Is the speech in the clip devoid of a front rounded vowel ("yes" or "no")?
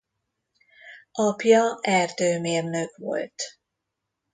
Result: no